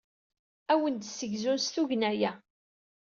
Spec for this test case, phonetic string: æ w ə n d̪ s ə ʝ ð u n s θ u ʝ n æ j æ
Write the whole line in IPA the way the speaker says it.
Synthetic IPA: æ w ə n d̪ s ə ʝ z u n s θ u ʝ n æ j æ